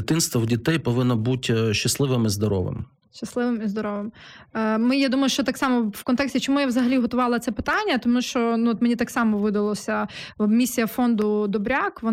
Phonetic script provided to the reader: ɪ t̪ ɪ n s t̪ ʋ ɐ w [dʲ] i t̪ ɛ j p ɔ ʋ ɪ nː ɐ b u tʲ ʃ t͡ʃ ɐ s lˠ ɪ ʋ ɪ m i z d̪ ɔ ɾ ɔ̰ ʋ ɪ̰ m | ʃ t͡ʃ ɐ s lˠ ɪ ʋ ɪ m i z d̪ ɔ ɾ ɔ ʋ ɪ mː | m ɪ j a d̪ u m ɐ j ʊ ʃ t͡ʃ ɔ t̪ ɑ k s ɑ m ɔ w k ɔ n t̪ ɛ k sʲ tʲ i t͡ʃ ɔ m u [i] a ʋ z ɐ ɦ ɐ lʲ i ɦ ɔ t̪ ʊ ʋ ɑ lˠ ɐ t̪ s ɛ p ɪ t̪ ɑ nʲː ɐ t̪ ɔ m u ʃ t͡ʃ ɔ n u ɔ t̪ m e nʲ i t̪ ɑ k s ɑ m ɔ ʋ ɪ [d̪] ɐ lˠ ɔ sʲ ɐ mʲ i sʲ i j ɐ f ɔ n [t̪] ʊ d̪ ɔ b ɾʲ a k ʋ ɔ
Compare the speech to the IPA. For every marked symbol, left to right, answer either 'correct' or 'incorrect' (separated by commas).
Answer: correct, incorrect, correct, incorrect